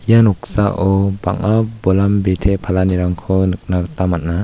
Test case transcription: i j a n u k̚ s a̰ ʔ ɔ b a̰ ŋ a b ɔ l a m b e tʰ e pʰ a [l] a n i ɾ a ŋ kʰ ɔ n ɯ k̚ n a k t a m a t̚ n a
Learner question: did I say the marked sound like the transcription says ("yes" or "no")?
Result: yes